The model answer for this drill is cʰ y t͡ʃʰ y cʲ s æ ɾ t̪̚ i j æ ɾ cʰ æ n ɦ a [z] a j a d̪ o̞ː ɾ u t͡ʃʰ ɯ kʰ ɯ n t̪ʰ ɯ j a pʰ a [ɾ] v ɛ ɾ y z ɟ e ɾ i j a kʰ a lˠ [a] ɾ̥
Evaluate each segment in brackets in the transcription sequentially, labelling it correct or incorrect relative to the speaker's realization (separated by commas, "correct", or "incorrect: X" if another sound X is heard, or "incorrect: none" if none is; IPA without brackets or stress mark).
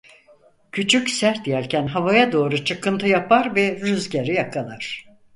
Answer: incorrect: v, correct, correct